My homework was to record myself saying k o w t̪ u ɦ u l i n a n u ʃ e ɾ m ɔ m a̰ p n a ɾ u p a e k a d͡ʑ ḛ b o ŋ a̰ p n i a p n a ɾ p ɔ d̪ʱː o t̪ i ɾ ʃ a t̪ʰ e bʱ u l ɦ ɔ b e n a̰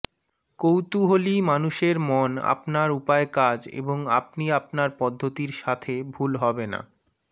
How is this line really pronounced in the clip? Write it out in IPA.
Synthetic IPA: k o w t̪ u ɦ o l i m a n u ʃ e ɾ m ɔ n a̰ p n a ɾ u p a e k a d͡ʑ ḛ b o ŋ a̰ p n i a p n a ɾ p ɔ d̪ʱː o t̪ i ɾ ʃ a t̪ʰ e bʱ u l ɦ ɔ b e n a̰

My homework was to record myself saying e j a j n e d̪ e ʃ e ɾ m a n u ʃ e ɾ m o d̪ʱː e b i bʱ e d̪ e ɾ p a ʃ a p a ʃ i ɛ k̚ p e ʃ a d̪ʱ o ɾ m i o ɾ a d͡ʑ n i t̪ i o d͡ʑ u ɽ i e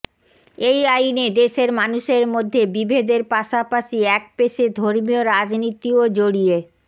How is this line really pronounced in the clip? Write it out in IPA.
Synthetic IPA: e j a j n e d̪ e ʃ e ɾ m a n u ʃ e ɾ m o d̪ʱː e b i bʱ e d̪ e ɾ p a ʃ a p a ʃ i ɛ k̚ p e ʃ e d̪ʱ o ɾ m i o ɾ a d͡ʑ n i t̪ i o d͡ʑ o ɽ i e

